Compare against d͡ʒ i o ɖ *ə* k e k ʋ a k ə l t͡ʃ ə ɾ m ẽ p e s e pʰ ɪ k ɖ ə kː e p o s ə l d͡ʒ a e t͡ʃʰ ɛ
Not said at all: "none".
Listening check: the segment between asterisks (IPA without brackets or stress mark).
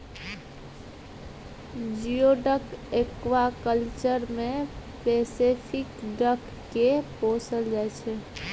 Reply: ə